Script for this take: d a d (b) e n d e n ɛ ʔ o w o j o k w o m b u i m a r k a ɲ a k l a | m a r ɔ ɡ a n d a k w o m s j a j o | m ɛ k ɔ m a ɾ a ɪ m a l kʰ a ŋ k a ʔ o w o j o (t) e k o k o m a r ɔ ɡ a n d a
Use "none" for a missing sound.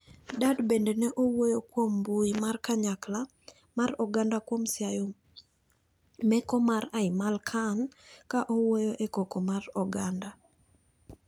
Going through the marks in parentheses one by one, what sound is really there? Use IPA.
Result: b, ʔ

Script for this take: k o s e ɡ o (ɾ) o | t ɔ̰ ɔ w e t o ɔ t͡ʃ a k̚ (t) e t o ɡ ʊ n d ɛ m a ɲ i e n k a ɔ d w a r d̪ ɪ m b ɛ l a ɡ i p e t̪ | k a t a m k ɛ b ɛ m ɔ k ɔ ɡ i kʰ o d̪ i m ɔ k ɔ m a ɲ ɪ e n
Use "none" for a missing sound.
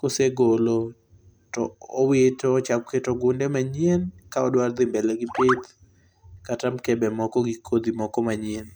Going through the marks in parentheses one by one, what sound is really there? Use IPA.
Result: l, k

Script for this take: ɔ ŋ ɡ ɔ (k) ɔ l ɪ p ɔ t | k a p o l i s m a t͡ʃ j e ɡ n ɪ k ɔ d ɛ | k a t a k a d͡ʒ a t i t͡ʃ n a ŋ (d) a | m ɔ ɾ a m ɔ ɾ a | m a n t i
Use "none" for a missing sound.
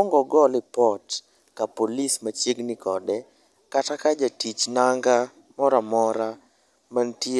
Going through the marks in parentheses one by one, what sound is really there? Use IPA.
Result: ɡ, ɡ

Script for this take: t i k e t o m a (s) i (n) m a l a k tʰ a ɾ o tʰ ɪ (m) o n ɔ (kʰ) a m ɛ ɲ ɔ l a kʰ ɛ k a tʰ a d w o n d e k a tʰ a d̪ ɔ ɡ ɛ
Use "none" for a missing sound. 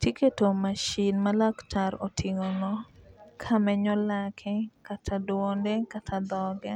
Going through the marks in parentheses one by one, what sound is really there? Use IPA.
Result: ʃ, n, ŋ, kʰ

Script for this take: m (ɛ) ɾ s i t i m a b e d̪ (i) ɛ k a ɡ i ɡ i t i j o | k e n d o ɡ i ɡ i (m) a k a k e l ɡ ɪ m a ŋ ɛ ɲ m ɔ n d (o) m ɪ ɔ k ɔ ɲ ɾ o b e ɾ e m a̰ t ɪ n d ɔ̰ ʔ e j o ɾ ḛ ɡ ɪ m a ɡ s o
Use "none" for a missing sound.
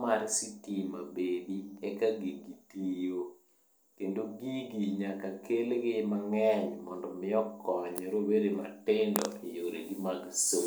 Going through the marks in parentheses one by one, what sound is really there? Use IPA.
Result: a, i, ɲ, ɔ

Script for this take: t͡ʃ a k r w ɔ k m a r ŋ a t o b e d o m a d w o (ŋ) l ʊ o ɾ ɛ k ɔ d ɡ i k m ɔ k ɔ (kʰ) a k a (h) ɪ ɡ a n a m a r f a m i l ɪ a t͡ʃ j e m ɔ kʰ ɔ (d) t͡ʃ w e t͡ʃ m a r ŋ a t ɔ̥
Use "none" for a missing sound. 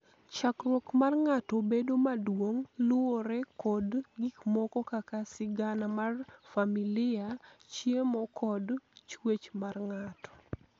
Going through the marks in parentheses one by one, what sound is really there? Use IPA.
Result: ŋ, k, s, d

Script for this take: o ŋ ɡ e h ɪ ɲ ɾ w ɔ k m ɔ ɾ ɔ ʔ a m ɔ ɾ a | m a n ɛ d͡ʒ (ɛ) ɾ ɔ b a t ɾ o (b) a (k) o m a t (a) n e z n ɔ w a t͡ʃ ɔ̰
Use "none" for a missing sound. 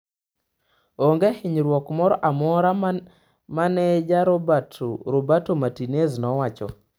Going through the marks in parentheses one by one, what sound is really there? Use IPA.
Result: a, b, t, i

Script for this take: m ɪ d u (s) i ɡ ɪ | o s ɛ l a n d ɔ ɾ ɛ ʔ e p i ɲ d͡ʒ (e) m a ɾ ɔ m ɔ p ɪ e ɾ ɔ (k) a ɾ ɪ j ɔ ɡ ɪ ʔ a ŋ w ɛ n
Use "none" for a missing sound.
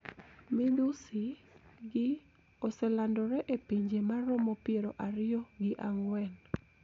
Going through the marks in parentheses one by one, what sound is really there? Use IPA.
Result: s, e, ʔ

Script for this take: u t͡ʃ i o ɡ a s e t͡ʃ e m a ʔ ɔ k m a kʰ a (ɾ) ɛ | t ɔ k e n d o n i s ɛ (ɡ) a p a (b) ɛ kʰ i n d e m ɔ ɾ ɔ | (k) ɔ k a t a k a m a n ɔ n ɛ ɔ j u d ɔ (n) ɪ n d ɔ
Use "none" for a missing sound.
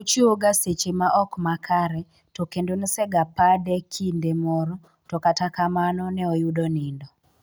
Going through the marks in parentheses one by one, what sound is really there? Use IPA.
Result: ɾ, ɡ, d, t, n

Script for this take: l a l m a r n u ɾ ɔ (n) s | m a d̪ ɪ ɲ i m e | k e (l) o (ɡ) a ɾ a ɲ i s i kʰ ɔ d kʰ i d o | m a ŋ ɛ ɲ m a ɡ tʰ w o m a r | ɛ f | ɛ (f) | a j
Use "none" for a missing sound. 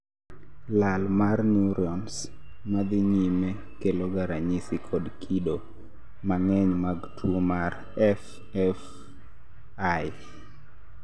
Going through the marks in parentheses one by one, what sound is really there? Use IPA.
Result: n, l, ɡ, f

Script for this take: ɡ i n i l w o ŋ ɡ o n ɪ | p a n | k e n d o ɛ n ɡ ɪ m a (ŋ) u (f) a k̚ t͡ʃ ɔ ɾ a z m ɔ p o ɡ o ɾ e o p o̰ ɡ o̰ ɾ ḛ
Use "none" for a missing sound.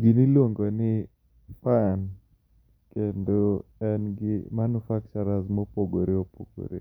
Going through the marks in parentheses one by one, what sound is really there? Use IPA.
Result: n, f

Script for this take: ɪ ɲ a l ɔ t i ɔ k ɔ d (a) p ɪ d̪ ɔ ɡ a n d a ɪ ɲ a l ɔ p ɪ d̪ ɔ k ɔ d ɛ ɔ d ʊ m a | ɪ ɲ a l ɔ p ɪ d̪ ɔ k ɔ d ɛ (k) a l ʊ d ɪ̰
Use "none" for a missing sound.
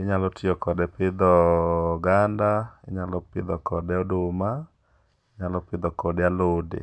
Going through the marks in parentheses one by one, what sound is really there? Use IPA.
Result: ɛ, none

